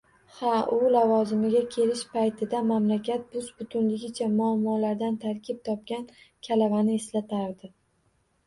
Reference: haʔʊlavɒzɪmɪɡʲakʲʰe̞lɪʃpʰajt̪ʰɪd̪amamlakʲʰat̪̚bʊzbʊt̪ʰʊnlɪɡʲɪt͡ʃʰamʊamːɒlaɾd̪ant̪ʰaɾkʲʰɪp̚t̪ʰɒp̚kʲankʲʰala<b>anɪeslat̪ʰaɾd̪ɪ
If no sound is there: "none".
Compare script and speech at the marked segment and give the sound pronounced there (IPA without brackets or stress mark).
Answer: v